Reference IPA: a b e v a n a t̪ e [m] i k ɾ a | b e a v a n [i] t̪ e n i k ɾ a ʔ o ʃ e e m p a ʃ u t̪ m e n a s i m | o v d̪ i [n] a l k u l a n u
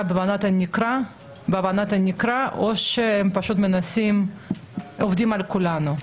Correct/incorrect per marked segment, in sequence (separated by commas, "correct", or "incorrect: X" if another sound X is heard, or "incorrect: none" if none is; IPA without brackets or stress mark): incorrect: n, incorrect: a, incorrect: m